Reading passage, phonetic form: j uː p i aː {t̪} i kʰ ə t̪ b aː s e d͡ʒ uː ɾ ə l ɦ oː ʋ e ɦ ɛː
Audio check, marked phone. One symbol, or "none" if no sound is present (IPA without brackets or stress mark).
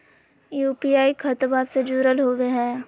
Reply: none